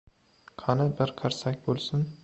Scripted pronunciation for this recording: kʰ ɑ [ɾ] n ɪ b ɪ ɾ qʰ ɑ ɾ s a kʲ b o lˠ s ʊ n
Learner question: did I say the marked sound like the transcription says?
no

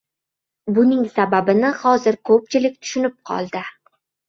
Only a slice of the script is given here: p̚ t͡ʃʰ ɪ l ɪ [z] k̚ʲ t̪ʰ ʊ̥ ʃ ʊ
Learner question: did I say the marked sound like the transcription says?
no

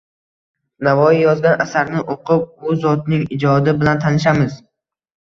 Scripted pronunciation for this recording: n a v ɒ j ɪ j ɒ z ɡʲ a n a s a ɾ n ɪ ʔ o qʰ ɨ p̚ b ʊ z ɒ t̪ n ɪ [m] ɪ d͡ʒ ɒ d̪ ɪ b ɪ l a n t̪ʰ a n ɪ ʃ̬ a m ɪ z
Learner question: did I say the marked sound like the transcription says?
no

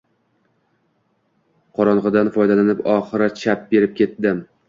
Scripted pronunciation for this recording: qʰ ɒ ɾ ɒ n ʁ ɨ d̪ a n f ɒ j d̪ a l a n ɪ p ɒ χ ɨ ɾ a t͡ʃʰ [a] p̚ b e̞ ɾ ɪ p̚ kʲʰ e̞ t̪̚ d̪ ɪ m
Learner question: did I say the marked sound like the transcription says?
yes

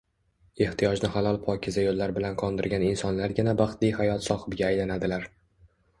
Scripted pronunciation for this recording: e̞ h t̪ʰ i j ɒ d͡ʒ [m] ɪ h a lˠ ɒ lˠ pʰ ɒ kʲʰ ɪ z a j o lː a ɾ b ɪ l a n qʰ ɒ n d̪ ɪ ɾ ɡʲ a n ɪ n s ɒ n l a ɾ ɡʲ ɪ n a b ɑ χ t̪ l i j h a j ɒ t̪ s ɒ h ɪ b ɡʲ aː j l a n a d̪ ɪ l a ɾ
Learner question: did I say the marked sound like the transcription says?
no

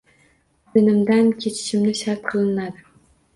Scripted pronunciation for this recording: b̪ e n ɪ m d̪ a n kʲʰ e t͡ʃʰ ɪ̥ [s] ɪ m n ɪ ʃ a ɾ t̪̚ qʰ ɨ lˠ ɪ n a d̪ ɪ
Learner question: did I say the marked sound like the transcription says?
no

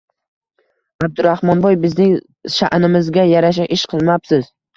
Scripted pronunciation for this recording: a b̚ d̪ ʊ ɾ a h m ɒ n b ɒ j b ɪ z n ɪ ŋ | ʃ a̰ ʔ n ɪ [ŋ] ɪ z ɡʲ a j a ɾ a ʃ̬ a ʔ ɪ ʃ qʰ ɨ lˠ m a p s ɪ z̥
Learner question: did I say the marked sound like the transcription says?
no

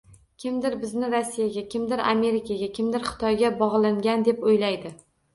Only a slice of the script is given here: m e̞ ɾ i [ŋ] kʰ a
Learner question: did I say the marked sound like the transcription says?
no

